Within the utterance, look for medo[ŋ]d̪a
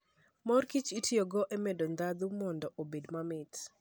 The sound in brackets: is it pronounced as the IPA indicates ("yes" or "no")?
no